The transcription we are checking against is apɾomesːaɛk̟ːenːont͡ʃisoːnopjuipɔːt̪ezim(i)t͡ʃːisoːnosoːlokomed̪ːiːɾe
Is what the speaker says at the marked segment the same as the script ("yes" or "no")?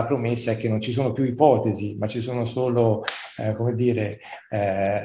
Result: no